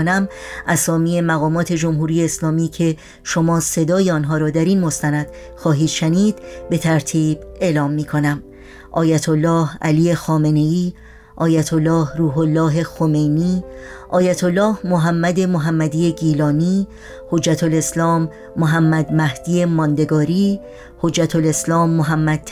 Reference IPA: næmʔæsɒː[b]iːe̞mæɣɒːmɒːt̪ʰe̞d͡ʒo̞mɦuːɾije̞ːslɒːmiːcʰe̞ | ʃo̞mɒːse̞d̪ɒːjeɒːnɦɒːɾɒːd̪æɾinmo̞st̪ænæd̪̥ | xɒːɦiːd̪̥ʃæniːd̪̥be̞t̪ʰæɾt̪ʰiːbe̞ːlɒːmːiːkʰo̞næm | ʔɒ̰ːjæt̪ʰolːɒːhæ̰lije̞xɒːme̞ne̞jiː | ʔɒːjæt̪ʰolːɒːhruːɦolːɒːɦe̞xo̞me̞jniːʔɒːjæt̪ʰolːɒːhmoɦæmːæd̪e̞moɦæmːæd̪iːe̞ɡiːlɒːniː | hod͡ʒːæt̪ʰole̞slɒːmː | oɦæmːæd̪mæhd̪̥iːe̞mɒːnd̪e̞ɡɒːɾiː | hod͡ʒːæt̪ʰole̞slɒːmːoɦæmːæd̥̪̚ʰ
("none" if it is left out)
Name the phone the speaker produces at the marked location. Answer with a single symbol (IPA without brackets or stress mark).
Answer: m